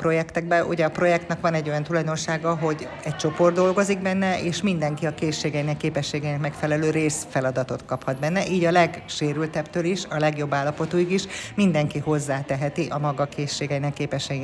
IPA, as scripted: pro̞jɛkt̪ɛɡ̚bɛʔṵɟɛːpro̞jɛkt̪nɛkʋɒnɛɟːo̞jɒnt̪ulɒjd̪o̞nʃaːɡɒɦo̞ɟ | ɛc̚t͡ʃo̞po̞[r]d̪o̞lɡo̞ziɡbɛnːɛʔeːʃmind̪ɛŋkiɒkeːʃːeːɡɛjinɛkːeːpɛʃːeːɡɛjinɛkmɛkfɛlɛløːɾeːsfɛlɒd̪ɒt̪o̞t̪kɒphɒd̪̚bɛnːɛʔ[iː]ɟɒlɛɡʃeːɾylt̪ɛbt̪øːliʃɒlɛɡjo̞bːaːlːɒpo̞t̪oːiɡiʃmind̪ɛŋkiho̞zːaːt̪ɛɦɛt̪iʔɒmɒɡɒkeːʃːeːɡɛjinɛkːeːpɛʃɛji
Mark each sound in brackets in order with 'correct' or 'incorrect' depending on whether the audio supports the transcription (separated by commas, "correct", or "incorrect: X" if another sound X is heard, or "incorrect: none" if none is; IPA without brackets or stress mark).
correct, correct